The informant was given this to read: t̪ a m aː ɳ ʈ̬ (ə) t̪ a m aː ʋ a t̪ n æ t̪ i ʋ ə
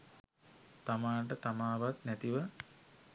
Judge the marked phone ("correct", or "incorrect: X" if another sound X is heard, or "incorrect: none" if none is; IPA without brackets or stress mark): correct